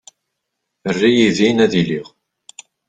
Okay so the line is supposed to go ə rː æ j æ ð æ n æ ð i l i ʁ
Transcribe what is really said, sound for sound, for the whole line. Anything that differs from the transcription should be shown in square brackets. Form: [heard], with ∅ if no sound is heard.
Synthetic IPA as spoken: ə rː [i] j [i] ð [i] n æ ð i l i ʁ